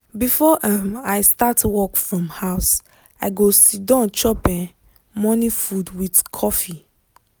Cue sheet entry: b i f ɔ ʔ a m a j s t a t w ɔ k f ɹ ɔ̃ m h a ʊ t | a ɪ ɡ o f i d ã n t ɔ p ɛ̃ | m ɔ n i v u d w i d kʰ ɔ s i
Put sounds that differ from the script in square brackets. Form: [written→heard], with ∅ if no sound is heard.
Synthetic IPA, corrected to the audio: b i f ɔ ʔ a m a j s t a t w ɔ k f ɹ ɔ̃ m h a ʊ [t→s] | a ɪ ɡ o [f→s] i d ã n [t→t͡ʃ] ɔ p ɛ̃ | m ɔ n i [v→f] u d w i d kʰ ɔ [s→f] i